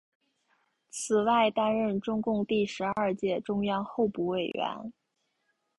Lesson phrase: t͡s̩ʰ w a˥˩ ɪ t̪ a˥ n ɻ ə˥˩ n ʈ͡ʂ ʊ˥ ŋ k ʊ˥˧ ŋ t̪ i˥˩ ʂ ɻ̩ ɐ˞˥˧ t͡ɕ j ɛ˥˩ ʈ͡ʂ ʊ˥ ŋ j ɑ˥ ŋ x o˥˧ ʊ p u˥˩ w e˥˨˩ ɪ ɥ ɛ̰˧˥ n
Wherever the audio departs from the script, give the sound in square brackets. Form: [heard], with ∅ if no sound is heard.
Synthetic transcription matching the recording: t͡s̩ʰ w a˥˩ ɪ t̪ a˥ n ɻ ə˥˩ n ʈ͡ʂ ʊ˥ ŋ k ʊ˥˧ ŋ t̪ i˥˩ ʂ ɻ̩ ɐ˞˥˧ t͡ɕ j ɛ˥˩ ʈ͡ʂ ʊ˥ ŋ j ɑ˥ ŋ x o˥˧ ʊ p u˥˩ w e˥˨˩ ɪ ɥ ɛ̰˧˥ n